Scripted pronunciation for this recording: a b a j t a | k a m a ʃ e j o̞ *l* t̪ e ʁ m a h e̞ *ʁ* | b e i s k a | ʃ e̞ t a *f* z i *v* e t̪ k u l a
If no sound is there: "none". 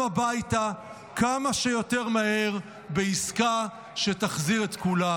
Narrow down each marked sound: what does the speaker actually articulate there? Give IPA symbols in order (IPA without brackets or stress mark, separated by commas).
none, ʁ, χ, ʁ